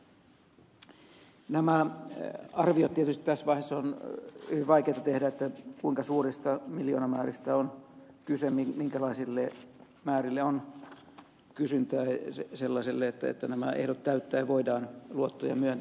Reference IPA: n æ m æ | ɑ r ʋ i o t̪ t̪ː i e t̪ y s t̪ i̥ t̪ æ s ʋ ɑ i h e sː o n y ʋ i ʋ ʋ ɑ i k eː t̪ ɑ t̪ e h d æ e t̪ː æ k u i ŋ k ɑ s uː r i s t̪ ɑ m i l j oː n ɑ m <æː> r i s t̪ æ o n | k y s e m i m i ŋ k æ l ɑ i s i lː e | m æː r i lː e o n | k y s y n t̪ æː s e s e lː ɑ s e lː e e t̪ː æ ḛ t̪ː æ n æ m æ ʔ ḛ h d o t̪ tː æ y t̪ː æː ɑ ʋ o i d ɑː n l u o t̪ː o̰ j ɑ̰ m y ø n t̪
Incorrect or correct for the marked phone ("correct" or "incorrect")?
correct